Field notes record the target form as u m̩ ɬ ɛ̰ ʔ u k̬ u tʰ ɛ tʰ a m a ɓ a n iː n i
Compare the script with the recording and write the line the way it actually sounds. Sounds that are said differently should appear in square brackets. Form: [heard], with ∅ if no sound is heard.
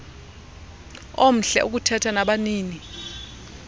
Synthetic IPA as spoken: [o] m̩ ɬ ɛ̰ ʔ u k̬ u tʰ ɛ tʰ a [n] a ɓ a n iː n i